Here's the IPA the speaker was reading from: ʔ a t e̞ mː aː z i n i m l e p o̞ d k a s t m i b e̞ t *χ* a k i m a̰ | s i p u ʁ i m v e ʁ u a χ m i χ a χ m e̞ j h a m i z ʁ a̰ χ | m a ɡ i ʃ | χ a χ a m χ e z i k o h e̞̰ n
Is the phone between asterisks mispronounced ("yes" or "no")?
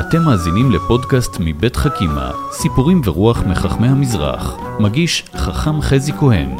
no